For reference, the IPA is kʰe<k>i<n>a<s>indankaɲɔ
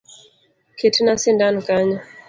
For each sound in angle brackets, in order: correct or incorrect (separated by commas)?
incorrect, correct, correct